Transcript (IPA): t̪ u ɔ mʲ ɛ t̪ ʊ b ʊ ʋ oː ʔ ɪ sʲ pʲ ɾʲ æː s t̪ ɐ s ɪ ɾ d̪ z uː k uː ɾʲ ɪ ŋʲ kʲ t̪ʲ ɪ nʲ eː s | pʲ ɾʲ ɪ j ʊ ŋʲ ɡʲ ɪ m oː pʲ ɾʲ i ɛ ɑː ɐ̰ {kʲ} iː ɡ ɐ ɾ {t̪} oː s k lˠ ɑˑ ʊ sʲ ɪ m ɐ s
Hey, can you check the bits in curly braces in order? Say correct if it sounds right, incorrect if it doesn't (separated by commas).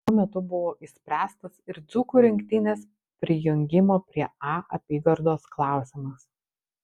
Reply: incorrect, incorrect